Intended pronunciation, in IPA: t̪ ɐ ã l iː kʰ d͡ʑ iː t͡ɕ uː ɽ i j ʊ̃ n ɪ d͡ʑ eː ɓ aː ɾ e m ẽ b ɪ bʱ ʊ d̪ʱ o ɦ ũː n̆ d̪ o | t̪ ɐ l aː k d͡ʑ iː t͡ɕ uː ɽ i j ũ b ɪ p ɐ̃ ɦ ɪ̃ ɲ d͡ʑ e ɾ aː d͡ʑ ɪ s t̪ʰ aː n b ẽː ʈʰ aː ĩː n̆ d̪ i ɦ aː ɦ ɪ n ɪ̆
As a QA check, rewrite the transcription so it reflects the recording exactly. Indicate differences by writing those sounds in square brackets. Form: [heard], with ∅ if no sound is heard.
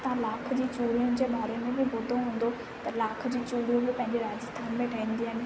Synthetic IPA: t̪ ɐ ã l [aː] kʰ d͡ʑ iː t͡ɕ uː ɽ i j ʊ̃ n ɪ d͡ʑ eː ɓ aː ɾ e m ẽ b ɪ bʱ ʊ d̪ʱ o ɦ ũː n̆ d̪ o | t̪ ɐ l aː [kʰ] d͡ʑ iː t͡ɕ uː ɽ i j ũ b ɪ p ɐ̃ ɦ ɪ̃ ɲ d͡ʑ e ɾ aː d͡ʑ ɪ s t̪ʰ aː n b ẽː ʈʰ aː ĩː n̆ d̪ i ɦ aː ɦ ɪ n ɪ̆